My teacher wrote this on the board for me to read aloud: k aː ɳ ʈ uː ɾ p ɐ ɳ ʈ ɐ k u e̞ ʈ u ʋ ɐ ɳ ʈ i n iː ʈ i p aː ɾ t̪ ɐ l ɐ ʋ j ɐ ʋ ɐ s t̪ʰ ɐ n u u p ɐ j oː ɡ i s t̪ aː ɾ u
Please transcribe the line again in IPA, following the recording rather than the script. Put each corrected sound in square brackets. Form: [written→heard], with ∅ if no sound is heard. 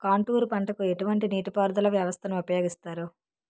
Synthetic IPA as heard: k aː ɳ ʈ uː ɾ p ɐ ɳ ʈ ɐ k u e̞ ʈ u ʋ ɐ ɳ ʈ i n iː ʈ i p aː ɾ [t̪→d̪] ɐ l ɐ ʋ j ɐ ʋ ɐ s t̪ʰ ɐ n u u p ɐ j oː ɡ i s t̪ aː ɾ u